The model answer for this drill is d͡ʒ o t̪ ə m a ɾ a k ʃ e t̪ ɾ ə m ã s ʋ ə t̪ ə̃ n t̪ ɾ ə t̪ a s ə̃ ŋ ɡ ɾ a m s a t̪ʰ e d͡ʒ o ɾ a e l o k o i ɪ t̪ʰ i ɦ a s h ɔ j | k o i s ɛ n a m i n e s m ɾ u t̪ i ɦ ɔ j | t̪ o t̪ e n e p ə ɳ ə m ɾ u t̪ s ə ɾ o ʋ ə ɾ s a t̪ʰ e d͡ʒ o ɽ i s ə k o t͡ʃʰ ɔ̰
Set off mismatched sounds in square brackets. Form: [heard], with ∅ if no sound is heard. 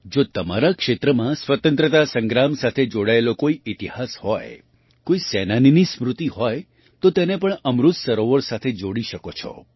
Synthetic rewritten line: d͡ʒ o t̪ ə m a ɾ a k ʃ e t̪ ɾ ə m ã s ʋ ə t̪ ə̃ n t̪ ɾ ə t̪ a s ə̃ ŋ ɡ ɾ a m s a t̪ʰ e d͡ʒ o [ɽ] a e l o k o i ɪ [t̪] i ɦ a s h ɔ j | k o i s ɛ n a [n] i n [i] s m ɾ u t̪ i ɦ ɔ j | t̪ o t̪ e n e p ə ɳ ə m ɾ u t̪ s ə ɾ o ʋ ə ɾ s a t̪ʰ e d͡ʒ o ɽ i [ʃ] ə k o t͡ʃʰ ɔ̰